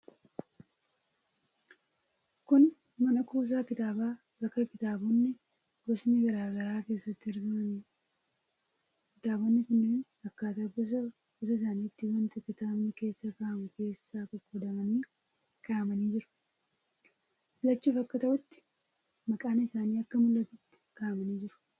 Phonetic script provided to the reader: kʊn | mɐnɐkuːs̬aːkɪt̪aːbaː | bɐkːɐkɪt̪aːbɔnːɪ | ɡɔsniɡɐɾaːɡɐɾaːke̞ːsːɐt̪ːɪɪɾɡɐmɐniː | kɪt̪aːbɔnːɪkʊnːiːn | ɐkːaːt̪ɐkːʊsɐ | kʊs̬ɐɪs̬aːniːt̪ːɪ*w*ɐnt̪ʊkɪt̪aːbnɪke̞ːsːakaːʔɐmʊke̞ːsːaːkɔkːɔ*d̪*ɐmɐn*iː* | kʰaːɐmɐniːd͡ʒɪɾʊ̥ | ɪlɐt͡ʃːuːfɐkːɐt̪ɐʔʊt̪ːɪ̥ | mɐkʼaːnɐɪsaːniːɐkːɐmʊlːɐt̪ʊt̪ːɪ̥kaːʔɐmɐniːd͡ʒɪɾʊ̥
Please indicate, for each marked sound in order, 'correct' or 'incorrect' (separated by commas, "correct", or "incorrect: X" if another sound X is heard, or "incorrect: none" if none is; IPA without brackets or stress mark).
correct, correct, correct